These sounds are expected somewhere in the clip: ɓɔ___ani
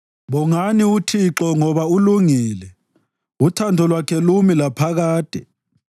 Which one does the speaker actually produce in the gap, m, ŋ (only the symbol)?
ŋ